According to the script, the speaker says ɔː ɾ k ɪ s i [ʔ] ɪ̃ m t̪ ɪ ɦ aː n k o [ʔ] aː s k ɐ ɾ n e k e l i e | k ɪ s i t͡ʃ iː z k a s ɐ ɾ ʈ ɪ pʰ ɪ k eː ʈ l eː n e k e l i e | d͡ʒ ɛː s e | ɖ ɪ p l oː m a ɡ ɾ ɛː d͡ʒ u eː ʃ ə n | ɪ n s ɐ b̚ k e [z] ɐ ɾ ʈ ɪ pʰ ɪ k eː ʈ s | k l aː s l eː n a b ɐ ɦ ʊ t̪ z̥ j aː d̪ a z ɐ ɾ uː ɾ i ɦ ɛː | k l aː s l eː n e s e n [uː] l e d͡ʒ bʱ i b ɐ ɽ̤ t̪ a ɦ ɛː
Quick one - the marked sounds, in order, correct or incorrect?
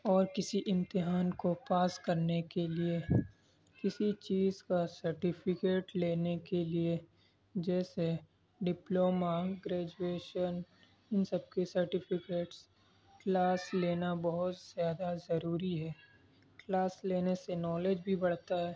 correct, incorrect: p, incorrect: s, incorrect: ɔː

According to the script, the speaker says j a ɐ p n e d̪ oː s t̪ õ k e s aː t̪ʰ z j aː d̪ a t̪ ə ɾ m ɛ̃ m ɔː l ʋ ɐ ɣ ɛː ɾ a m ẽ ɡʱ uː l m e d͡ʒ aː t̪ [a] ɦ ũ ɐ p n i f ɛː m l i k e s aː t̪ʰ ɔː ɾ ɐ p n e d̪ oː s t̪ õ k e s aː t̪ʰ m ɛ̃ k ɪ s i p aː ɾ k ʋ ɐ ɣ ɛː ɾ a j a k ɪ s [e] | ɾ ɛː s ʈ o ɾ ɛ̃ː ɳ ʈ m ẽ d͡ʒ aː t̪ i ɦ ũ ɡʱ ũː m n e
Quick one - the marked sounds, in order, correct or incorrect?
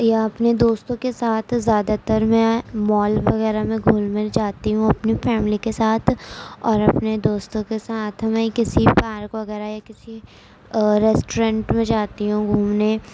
incorrect: i, incorrect: i

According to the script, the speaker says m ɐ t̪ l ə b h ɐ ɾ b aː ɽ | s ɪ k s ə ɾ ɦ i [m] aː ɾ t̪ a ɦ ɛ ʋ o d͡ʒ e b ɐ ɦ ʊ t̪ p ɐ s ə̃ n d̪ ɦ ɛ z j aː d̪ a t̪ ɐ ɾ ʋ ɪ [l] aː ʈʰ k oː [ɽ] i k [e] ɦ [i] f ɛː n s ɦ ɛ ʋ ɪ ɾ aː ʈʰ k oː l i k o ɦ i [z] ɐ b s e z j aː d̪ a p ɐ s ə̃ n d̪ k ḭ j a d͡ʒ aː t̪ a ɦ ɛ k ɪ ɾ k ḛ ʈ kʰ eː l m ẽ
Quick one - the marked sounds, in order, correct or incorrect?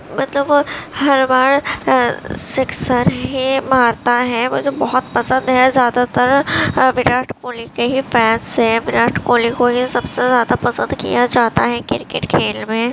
correct, incorrect: ɾ, incorrect: l, correct, correct, incorrect: s

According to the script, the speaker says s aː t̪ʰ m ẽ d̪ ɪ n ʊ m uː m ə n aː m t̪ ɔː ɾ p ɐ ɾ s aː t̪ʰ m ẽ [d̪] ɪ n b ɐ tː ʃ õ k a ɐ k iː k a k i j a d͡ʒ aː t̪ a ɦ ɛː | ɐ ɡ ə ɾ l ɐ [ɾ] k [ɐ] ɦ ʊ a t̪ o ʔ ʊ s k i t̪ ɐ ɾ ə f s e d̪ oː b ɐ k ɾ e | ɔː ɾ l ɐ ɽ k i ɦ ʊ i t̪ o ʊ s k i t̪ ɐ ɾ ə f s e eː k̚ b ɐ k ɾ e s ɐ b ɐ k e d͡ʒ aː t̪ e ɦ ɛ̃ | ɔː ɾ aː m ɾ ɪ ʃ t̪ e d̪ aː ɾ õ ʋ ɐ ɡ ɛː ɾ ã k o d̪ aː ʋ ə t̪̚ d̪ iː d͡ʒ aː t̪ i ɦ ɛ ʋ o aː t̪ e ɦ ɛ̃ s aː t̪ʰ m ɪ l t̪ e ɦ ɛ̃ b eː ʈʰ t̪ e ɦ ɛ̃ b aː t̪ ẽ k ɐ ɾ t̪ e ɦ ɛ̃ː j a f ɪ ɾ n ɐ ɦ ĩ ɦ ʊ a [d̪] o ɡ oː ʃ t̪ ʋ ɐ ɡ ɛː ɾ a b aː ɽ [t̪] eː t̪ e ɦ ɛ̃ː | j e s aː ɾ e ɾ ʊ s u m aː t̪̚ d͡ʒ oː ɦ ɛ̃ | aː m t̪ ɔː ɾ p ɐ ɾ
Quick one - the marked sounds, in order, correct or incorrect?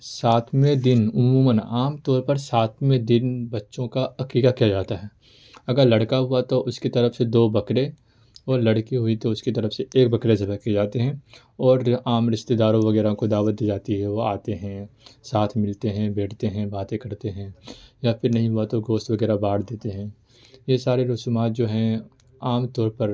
correct, incorrect: ɽ, incorrect: a, incorrect: t̪, incorrect: d̪

